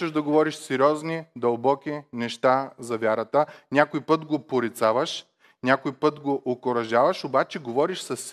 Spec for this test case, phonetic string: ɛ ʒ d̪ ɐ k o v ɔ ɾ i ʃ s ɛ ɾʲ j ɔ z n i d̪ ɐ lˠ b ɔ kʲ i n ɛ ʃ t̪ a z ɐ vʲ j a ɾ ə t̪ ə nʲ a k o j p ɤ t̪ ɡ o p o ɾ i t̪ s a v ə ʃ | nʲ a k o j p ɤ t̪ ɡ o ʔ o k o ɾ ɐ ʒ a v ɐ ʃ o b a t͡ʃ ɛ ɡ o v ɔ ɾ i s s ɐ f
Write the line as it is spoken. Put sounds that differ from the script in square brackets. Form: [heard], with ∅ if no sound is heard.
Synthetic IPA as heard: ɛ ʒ d̪ ɐ [ɡ] o v ɔ ɾ i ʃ s ɛ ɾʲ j ɔ z n i d̪ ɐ lˠ b ɔ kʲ i n ɛ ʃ t̪ a z ɐ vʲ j a ɾ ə t̪ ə nʲ a k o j p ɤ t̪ ɡ o p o ɾ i t̪ s a v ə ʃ | nʲ a k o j p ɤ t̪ ɡ o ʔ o k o ɾ ɐ ʒ a v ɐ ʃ o b a t͡ʃ ɛ ɡ o v ɔ ɾ i [ʃ] s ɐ [s]